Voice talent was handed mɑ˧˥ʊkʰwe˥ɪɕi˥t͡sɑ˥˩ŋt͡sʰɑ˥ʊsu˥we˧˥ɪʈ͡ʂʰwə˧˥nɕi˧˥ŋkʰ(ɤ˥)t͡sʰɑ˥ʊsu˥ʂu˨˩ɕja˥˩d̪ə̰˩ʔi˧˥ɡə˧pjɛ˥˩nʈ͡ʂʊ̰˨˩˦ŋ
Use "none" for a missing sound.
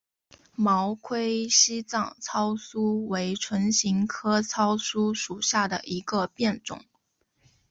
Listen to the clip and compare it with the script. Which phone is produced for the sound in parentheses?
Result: ɤ˥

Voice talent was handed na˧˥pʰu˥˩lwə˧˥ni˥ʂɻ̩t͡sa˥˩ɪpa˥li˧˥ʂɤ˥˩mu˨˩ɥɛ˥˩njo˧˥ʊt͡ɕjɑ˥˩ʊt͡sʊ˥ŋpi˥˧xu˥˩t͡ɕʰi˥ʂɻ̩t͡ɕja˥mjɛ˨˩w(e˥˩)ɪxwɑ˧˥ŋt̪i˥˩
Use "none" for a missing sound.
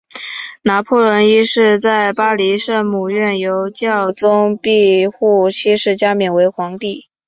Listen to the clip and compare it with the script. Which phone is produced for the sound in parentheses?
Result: e˧˥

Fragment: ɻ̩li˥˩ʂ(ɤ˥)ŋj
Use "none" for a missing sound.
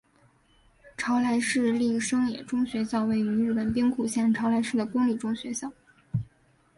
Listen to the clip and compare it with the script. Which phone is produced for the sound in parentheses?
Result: ɤ˥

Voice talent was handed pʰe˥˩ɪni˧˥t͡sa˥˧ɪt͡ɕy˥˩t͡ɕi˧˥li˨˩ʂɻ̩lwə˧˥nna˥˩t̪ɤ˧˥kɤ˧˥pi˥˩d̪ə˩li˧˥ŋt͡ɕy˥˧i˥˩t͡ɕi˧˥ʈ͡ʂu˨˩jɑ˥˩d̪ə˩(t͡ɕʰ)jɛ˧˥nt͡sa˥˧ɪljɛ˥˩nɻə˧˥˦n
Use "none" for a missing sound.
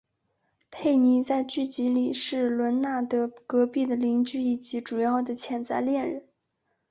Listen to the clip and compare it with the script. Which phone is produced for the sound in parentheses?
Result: t͡ɕʰ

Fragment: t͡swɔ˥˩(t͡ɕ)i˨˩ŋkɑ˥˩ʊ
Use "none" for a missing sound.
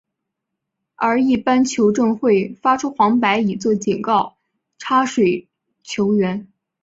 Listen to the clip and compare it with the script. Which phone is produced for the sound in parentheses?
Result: t͡ɕ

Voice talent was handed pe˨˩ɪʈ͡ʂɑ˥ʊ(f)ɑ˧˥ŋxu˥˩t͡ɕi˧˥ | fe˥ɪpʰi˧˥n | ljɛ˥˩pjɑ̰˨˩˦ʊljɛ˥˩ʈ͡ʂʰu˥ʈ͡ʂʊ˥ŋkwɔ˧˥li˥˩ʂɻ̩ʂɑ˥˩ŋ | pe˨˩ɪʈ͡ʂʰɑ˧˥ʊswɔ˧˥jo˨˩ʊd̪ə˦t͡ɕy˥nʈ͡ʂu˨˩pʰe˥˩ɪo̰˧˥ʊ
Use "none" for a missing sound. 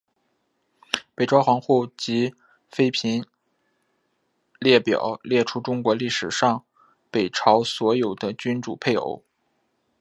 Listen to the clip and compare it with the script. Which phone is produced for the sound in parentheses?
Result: x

